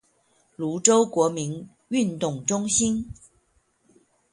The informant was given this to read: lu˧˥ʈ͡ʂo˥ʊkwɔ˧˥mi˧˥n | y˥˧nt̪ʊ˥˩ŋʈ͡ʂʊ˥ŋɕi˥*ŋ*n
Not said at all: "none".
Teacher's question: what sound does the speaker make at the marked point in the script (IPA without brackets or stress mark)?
none